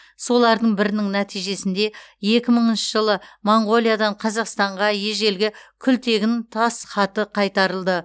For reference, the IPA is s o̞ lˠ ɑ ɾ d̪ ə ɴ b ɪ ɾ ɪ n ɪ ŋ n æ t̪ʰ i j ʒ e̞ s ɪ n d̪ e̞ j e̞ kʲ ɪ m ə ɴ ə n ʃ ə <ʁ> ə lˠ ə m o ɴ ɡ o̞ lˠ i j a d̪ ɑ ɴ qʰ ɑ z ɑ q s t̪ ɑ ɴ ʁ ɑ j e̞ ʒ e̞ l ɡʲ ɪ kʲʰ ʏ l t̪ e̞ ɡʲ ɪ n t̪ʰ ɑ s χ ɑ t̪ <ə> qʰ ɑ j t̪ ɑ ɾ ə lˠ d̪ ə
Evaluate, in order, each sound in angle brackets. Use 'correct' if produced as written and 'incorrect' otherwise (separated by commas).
incorrect, correct